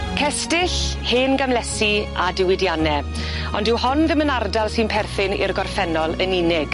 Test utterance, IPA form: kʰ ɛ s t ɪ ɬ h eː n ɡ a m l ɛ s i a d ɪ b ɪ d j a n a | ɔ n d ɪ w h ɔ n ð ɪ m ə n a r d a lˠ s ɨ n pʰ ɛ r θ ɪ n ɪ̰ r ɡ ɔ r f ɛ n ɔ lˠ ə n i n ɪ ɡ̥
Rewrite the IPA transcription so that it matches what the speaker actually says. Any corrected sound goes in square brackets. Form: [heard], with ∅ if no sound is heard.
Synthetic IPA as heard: kʰ ɛ s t ɪ ɬ h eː n ɡ a m l ɛ s i a d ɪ [w] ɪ d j a n [ɛ] | ɔ n d ɪ w h ɔ n ð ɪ m ə n a r d a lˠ s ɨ n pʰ ɛ r θ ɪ n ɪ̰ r ɡ ɔ r f ɛ n ɔ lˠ ə n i n ɪ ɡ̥